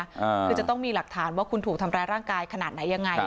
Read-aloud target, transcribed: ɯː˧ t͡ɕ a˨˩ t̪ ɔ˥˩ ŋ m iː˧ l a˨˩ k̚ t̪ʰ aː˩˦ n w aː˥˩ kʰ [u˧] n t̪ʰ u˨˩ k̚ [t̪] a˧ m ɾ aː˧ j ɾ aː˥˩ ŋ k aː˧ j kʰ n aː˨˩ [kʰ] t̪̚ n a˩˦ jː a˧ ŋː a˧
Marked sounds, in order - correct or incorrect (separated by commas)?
correct, incorrect, incorrect